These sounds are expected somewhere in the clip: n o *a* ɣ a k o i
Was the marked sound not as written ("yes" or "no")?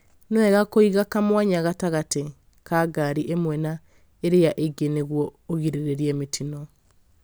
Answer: yes